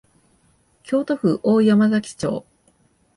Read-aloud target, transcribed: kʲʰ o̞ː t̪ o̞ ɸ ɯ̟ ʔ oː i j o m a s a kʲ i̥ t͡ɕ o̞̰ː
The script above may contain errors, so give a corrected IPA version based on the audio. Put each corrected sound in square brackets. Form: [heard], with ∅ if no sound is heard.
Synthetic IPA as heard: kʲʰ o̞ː t̪ o̞ ɸ ɯ̟ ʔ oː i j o m a [z] a kʲ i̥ t͡ɕ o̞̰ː